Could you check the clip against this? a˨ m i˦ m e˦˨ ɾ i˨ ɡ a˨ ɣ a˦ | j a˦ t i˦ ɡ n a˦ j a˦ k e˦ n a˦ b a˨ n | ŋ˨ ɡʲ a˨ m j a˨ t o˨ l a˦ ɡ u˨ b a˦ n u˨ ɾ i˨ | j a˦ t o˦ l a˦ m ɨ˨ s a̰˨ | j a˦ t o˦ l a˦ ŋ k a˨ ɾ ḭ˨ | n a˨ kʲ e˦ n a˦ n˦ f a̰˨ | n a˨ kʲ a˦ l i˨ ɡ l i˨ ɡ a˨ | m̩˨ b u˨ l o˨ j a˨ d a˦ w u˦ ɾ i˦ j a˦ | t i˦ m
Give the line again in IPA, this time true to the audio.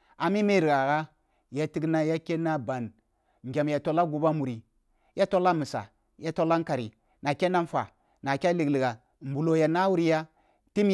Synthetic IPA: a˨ m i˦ m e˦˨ ɾ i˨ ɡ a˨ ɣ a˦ | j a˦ t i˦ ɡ n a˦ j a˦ k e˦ n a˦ b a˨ n | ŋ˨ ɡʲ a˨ m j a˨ t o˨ l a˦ ɡ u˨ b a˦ m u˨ ɾ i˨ | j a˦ t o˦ l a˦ m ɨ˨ s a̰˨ | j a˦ t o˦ l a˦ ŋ k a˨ ɾ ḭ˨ | n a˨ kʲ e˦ n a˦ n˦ f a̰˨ | n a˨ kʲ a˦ l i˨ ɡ l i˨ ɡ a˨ | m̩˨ b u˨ l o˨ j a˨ n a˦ w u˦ ɾ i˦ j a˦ | t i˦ m

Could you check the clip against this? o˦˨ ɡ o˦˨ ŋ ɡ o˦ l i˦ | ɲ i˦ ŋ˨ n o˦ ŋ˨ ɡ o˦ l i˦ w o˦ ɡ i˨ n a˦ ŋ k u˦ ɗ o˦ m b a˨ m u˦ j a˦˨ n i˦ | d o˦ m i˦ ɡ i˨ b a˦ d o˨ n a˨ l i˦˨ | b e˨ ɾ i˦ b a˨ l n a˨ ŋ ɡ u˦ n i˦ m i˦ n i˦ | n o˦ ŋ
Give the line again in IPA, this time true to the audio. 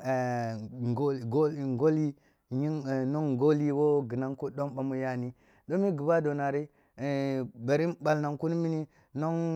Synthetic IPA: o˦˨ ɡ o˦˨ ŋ ɡ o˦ l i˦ | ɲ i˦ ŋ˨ n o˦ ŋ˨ ɡ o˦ l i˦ w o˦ ɡ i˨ n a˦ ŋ k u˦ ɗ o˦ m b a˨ m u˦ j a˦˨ n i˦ | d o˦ m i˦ ɡ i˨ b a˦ d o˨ n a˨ ɾ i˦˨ | b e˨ ɾ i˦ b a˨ l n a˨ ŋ k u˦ n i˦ m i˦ n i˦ | n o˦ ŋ

